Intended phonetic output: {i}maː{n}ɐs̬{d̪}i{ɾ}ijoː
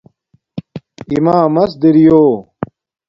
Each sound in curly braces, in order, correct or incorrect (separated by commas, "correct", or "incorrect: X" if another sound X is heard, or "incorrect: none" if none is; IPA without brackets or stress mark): correct, incorrect: m, correct, correct